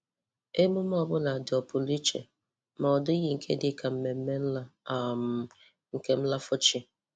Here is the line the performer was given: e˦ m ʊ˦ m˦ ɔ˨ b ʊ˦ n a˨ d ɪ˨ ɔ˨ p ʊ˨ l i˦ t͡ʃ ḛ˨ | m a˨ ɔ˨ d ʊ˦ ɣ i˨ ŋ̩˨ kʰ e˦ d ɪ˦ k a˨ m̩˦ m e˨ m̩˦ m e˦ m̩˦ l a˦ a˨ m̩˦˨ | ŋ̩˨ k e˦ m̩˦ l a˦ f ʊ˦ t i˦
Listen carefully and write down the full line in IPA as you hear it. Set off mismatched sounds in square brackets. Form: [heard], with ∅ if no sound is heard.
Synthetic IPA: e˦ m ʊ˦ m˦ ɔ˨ b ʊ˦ n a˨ d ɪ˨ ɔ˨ p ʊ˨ l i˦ t͡ʃ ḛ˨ | m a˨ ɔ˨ d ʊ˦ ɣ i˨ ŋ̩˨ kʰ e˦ d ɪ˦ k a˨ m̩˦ m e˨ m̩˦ m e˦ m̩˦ l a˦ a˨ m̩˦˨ | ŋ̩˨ k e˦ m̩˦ l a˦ f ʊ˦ [t͡ʃ] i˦